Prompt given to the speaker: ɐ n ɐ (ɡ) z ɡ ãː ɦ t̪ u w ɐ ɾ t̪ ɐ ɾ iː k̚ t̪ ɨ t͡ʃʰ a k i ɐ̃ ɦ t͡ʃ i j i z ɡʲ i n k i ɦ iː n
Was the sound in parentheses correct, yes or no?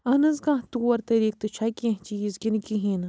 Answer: no